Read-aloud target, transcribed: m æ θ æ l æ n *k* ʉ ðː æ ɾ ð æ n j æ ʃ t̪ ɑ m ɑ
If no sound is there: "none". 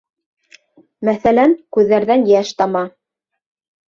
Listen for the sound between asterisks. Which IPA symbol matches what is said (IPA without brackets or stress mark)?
k